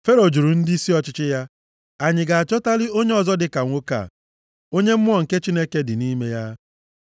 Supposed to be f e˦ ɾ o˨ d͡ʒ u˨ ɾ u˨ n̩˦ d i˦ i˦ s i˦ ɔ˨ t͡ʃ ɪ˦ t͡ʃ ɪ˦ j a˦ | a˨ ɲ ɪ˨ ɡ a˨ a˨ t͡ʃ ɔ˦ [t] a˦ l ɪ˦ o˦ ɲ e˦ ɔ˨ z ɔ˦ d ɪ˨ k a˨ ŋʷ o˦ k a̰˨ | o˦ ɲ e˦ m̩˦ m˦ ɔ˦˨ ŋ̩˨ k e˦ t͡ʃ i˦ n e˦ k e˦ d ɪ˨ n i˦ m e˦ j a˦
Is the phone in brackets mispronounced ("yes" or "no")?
no